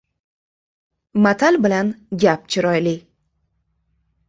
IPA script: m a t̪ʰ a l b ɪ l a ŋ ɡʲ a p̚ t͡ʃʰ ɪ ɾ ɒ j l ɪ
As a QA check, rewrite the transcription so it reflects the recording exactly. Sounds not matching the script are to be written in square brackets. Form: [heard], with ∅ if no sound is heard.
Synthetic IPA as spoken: m a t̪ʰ a l b ɪ l a [n] ɡʲ a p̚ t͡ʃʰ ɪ ɾ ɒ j l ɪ